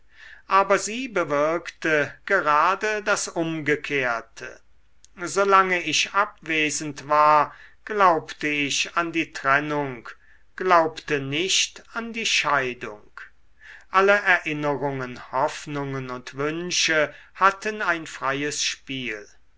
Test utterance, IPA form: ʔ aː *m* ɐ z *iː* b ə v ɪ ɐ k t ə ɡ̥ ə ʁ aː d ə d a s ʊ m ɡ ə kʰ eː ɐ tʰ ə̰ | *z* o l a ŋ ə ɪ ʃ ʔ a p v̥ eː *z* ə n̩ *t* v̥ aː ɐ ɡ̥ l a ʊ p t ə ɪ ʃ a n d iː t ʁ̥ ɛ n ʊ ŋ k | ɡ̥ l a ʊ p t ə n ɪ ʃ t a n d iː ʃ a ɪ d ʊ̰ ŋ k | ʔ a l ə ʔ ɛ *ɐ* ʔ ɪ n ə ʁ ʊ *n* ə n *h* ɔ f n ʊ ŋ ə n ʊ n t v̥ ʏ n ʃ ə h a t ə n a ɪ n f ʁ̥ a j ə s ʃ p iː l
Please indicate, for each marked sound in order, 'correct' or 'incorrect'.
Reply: incorrect: b, correct, correct, correct, correct, correct, incorrect: ŋ, correct

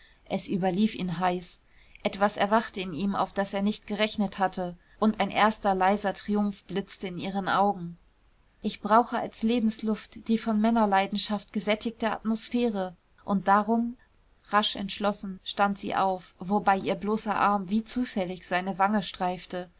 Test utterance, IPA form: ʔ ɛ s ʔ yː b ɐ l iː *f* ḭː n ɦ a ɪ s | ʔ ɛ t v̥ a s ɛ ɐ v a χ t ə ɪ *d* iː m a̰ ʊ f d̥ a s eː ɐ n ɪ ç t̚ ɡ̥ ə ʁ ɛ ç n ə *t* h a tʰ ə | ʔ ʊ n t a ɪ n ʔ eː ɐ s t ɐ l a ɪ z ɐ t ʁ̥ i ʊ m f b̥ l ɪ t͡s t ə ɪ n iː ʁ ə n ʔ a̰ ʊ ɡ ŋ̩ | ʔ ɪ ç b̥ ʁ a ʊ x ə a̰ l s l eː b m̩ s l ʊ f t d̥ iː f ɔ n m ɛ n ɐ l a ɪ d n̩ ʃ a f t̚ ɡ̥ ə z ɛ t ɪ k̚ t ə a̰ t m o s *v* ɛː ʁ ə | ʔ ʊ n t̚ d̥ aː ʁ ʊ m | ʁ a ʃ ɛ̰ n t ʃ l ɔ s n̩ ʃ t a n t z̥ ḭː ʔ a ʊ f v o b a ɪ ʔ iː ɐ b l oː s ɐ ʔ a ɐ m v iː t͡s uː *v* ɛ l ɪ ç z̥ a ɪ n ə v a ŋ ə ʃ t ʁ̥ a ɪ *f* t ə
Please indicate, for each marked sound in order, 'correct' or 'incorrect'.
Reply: correct, incorrect: n, correct, incorrect: f, incorrect: f, correct

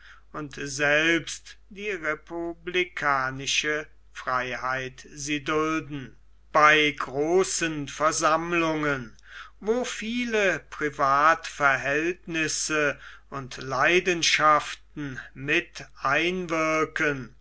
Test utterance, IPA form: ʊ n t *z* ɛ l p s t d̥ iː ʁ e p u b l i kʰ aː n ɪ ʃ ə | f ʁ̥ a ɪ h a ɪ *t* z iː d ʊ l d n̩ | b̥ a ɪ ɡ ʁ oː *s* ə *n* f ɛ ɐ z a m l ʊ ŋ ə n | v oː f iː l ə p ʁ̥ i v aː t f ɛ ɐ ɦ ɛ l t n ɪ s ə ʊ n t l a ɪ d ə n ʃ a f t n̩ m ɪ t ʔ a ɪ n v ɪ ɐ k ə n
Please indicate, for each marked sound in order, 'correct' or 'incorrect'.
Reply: correct, correct, correct, correct

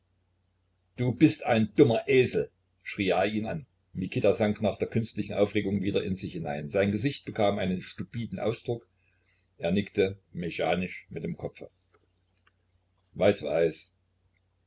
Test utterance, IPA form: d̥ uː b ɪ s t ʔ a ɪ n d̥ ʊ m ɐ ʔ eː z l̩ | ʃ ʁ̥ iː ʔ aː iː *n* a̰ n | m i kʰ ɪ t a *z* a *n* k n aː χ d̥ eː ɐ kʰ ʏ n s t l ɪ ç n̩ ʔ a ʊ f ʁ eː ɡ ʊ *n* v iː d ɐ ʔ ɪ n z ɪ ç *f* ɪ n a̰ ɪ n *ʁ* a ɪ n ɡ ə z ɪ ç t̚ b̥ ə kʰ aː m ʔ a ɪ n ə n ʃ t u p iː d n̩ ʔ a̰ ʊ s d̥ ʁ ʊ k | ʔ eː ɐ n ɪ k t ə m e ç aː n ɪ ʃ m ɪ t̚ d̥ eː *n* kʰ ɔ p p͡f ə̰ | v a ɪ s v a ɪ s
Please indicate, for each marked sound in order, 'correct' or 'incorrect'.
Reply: correct, correct, incorrect: ŋ, incorrect: ŋ, incorrect: h, incorrect: z, incorrect: m

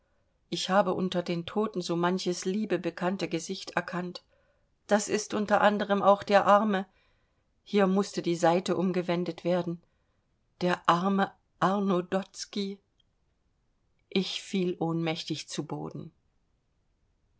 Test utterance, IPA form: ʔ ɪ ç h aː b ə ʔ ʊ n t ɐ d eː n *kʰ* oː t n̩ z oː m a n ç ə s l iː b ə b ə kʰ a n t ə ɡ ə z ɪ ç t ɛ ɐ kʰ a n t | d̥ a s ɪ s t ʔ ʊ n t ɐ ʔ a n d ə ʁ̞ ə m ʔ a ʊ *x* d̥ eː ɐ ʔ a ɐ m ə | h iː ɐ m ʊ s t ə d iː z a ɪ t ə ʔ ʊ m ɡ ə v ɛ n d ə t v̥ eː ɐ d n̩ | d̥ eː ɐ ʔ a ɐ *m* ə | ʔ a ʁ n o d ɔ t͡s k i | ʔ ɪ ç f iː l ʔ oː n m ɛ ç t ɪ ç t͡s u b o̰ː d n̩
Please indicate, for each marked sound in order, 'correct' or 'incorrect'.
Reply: incorrect: tʰ, correct, correct

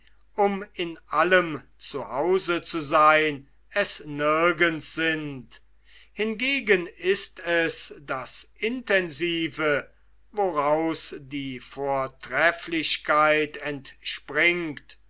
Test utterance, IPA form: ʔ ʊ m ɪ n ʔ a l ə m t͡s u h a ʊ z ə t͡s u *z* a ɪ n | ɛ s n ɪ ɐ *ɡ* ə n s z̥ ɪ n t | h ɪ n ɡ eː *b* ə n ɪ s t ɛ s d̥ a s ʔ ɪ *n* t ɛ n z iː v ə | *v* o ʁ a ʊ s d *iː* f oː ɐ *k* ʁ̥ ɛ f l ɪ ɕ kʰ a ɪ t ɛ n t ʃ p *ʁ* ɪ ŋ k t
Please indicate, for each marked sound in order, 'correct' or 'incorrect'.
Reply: correct, correct, incorrect: ɡ, correct, correct, correct, incorrect: t, correct

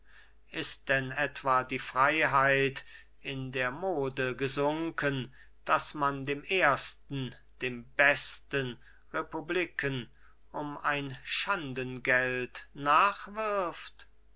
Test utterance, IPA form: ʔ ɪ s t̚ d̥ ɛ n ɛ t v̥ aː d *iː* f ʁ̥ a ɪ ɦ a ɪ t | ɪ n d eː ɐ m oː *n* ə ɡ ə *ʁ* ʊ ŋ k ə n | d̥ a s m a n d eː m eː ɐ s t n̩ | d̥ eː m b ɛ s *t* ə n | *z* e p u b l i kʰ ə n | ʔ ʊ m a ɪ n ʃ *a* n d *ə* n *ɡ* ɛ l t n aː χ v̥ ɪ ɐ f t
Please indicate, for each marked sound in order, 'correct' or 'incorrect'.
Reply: correct, incorrect: d, incorrect: z, correct, incorrect: ʁ, correct, correct, correct

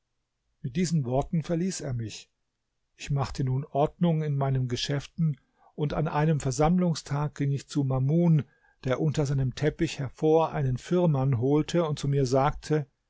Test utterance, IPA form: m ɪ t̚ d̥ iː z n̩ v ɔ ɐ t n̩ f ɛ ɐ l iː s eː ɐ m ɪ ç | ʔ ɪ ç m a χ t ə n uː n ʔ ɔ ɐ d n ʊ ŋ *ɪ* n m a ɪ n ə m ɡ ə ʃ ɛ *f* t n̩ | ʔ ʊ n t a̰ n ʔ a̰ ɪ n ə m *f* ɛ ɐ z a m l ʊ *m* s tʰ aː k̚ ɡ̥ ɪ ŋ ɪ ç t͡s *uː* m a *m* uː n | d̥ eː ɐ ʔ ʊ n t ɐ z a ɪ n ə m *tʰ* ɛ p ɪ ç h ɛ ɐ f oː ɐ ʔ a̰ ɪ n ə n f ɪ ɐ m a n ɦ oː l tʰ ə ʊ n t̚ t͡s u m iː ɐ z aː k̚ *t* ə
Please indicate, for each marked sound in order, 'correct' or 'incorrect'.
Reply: correct, correct, correct, incorrect: ŋ, incorrect: u, correct, correct, incorrect: tʰ

